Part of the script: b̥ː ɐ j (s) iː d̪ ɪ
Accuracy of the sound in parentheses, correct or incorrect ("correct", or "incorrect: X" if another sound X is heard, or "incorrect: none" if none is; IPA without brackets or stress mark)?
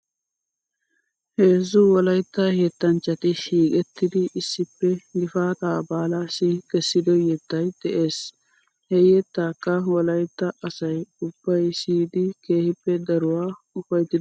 correct